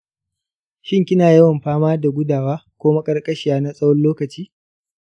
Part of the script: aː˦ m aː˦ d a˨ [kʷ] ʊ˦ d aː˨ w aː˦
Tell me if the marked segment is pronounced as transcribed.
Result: no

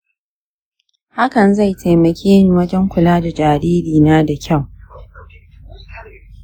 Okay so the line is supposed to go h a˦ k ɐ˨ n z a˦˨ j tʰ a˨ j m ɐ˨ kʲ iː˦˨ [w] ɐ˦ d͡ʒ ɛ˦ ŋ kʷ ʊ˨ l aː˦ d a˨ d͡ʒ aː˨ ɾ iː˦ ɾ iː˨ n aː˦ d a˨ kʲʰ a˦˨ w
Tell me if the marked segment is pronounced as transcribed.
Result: yes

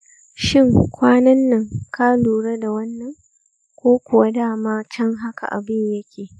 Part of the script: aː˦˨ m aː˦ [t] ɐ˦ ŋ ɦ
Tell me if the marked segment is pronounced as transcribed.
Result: no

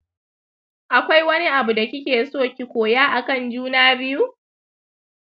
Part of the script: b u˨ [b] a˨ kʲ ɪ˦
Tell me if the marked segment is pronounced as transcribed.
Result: no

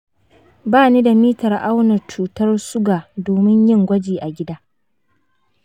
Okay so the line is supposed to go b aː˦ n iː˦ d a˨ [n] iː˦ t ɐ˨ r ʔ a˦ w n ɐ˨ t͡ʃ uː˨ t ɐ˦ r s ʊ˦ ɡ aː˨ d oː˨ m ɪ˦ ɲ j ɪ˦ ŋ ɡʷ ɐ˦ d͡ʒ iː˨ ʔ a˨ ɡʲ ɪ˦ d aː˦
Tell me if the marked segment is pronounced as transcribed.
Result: no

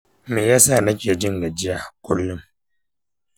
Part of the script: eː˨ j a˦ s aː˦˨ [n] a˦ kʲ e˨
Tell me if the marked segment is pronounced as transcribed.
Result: yes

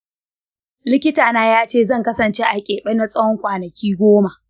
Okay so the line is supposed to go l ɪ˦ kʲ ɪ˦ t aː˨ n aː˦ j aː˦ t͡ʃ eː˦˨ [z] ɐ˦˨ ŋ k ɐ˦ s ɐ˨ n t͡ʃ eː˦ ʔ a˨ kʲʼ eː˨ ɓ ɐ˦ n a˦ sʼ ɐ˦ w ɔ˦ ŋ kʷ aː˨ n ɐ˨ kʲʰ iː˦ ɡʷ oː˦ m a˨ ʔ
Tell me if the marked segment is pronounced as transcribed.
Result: yes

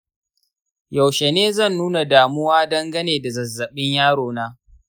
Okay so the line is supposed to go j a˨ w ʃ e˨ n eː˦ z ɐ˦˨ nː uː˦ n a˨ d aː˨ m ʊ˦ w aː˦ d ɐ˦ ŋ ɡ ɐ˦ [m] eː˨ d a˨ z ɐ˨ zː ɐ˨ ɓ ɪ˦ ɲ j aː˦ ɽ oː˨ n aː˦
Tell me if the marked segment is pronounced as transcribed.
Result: no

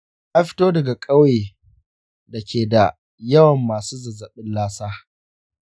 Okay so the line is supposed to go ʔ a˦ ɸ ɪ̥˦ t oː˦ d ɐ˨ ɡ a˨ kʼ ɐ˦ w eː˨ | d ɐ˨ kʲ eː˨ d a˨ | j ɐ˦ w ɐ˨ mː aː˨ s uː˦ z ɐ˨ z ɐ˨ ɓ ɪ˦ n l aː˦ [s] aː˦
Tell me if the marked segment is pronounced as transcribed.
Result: yes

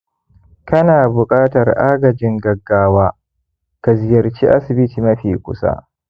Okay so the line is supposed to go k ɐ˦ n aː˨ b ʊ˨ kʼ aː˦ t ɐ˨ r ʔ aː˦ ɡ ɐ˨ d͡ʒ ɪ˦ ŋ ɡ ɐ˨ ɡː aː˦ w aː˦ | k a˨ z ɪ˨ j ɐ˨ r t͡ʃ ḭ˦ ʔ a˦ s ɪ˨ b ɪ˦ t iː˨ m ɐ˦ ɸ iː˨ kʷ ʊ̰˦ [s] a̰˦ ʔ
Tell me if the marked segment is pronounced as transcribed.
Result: yes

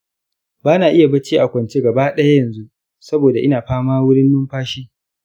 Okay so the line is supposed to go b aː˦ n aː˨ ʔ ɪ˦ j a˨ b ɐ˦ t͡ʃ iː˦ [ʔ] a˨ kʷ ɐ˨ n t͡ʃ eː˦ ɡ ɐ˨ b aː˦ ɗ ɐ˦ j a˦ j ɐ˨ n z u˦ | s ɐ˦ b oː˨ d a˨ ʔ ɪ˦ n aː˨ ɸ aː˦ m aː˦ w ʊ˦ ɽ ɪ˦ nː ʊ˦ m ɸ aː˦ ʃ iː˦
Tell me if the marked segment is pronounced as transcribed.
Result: yes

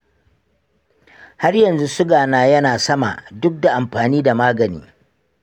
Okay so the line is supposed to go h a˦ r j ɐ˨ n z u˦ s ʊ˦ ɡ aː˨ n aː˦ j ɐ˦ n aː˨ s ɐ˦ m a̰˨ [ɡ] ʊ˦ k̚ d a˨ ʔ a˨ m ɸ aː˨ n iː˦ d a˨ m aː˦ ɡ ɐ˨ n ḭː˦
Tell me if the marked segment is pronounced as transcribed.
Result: no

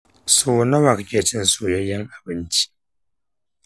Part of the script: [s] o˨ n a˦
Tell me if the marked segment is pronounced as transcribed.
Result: yes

